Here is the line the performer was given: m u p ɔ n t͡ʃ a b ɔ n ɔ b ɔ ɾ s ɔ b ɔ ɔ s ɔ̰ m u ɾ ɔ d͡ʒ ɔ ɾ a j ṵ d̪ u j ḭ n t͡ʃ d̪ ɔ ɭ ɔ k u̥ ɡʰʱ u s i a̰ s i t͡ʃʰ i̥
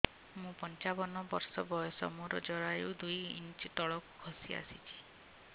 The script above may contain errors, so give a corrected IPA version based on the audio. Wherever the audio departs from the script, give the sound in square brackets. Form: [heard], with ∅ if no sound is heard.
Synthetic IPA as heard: m [ũ] p ɔ n t͡ʃ a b ɔ n ɔ b ɔ ɾ s ɔ b ɔ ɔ s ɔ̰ m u ɾ ɔ d͡ʒ ɔ ɾ a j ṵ d̪ u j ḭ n t͡ʃ [t̪] ɔ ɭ ɔ k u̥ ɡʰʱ [ɔ] s i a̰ s i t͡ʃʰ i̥